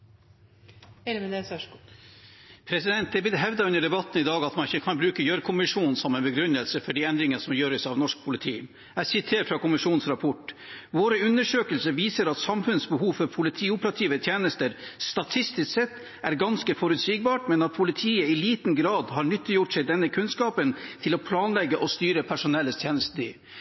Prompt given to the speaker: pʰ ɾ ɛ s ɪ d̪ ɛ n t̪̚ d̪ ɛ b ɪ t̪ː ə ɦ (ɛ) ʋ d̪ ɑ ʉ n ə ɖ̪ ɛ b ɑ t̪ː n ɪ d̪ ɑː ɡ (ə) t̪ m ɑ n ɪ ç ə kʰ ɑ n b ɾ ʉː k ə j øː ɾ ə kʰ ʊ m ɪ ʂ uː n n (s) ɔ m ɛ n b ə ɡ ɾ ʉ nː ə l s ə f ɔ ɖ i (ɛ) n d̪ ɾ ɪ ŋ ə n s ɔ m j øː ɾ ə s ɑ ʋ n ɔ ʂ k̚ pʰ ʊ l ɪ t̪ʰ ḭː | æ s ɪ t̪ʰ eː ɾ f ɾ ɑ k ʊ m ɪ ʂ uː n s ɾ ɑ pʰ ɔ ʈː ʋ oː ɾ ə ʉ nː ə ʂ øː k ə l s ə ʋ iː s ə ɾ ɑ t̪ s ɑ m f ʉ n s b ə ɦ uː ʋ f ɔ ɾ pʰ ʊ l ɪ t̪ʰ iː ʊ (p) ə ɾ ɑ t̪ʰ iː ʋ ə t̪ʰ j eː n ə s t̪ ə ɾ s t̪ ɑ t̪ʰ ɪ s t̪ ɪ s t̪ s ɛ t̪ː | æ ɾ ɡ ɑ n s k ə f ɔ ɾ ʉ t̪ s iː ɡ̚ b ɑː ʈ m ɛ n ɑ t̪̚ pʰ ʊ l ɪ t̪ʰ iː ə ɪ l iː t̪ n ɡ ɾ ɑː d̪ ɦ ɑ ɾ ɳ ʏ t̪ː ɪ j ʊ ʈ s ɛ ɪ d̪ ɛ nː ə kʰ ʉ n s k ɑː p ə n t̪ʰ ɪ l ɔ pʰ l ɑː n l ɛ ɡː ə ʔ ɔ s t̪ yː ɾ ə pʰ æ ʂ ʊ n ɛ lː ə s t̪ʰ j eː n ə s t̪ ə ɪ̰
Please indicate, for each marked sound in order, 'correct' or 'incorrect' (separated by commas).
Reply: correct, incorrect, correct, correct, correct